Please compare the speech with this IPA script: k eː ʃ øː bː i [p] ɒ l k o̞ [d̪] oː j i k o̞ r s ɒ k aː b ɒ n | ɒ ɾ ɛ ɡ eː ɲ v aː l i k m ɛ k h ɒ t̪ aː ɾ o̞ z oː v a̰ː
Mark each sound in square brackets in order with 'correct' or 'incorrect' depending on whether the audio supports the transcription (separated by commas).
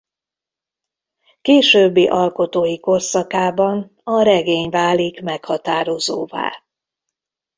incorrect, incorrect